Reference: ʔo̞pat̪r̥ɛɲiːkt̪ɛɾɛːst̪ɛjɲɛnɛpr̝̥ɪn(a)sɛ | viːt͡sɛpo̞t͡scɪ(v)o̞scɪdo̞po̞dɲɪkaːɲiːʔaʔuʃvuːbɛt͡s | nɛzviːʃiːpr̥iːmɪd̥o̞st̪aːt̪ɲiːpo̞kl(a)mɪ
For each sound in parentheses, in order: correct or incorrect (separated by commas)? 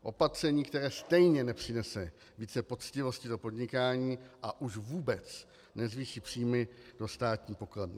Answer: incorrect, correct, incorrect